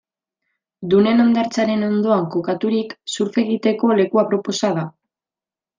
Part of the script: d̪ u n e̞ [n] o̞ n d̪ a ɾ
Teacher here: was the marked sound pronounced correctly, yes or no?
yes